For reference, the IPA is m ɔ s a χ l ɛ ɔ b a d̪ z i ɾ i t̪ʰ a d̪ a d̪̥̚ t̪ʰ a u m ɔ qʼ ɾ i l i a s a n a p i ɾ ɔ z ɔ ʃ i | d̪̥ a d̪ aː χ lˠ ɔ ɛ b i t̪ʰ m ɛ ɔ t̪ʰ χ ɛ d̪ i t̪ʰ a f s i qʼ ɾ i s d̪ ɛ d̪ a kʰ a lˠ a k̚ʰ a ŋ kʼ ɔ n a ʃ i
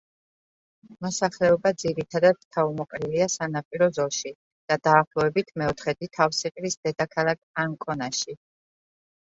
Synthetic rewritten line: m ɔ s a χ l ɛ ɔ b a d̪ z i ɾ i t̪ʰ a d̪ a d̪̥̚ t̪ʰ a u m ɔ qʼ ɾ i l i a s a n a pʼ i ɾ ɔ z ɔ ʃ i | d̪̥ a d̪ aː χ lˠ ɔ ɛ b i t̪ʰ m ɛ ɔ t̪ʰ χ ɛ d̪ i t̪ʰ a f s i qʼ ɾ i s d̪ ɛ d̪ a kʰ a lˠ a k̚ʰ a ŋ kʼ ɔ n a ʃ i